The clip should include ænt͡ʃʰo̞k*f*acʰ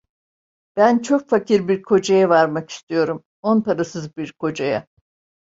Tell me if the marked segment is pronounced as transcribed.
yes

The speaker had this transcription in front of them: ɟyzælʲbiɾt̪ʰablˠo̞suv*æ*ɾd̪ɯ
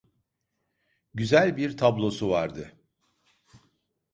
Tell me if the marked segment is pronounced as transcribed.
no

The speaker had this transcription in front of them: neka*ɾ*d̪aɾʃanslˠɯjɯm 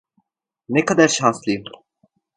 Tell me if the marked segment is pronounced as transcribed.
no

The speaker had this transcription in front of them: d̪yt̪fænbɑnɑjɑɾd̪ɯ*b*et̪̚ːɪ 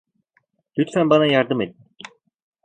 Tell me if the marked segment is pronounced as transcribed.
no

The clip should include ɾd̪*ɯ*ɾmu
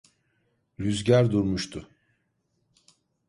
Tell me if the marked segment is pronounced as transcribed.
no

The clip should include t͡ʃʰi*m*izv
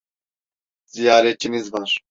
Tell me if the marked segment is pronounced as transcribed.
no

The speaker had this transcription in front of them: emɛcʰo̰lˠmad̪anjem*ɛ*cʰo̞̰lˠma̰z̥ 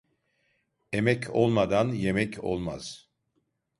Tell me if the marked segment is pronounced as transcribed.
yes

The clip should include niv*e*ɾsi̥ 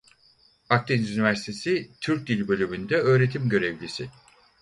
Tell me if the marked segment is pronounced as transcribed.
no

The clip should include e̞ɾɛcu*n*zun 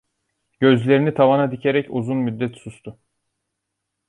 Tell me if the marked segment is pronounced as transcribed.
no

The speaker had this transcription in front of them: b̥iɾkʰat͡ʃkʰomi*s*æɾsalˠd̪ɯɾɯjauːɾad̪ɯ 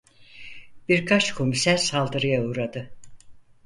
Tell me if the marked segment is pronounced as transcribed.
yes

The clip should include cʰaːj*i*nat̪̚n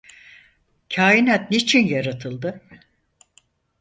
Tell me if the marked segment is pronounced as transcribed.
yes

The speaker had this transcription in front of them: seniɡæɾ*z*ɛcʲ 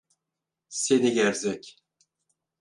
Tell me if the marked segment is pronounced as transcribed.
yes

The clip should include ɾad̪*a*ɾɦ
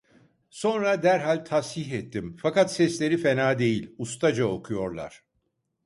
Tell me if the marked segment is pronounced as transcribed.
no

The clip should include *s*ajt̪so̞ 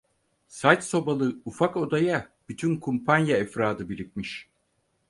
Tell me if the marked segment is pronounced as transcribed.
yes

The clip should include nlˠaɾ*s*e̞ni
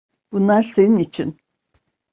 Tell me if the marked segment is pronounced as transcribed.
yes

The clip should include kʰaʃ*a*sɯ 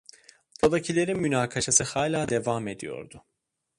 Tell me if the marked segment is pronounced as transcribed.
yes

